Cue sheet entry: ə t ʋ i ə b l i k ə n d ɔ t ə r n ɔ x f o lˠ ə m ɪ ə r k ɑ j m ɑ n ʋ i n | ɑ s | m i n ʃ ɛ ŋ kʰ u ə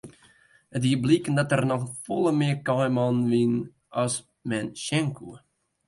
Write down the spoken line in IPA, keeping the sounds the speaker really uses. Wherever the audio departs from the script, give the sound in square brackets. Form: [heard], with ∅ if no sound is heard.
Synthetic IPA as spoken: ə t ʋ i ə b l i k ə n d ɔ t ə r n ɔ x f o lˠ ə m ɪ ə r k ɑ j m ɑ n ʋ i n | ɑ s | m [ɛ] n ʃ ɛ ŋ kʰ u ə